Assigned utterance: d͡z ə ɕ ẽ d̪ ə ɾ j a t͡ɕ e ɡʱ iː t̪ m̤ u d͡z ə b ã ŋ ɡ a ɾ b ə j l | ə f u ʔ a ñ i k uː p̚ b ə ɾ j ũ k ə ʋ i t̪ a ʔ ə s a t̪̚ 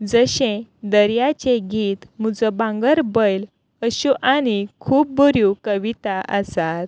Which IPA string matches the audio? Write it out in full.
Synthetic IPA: d͡z ə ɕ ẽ d̪ ə ɾ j a t͡ɕ e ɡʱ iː t̪ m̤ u d͡z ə b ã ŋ ɡ ə ɾ b ə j l | ə ɕ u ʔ a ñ i kʰ uː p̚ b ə ɾ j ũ k ə ʋ i t̪ a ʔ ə s a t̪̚